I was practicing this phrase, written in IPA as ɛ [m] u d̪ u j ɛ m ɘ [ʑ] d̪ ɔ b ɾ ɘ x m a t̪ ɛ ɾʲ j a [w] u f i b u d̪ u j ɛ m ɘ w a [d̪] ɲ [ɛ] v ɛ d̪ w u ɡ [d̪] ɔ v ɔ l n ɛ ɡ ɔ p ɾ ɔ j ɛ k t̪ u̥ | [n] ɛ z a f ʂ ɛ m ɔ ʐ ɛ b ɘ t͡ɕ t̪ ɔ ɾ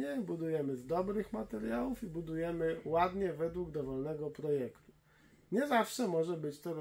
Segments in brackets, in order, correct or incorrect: incorrect: b, incorrect: z, correct, correct, correct, correct, incorrect: ɲ

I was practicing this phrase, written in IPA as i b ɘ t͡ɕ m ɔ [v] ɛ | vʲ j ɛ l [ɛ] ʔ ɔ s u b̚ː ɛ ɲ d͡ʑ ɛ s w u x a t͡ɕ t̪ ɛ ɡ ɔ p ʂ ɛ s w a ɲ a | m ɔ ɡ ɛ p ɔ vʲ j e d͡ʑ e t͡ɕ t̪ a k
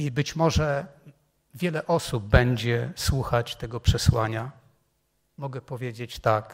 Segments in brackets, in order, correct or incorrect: incorrect: ʐ, correct

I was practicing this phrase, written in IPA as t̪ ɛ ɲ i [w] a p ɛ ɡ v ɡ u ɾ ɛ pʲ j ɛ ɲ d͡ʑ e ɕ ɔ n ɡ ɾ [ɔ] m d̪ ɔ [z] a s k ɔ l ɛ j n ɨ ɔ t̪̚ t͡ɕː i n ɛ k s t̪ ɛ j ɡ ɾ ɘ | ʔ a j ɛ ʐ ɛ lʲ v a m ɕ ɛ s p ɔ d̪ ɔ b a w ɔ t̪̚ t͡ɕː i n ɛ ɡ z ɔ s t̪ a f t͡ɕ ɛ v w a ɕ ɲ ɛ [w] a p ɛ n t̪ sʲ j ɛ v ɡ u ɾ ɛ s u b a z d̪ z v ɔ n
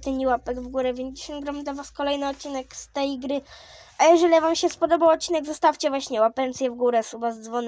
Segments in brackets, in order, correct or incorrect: correct, correct, incorrect: v, correct

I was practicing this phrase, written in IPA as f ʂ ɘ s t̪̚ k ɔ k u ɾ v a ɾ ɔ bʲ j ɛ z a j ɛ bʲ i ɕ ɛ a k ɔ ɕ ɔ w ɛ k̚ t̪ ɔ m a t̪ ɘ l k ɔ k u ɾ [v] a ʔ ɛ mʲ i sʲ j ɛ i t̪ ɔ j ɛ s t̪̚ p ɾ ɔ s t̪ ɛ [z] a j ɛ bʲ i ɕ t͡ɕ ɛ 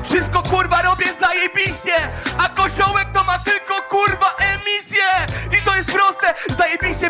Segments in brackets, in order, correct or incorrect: correct, correct

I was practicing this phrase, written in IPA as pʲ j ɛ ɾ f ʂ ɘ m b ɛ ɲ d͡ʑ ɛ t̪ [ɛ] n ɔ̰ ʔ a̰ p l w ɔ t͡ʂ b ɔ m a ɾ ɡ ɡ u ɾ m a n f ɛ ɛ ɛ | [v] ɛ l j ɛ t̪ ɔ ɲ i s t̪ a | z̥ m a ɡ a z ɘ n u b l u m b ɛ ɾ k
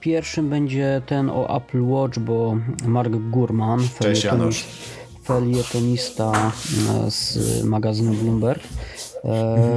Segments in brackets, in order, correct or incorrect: correct, incorrect: f

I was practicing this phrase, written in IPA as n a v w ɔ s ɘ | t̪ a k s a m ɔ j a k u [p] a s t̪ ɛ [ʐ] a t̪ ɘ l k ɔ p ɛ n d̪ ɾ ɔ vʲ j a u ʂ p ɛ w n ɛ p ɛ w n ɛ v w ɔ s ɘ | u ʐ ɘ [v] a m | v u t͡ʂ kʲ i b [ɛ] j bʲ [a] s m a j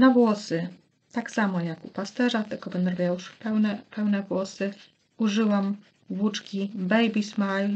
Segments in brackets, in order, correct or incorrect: correct, correct, incorrect: w, correct, incorrect: i

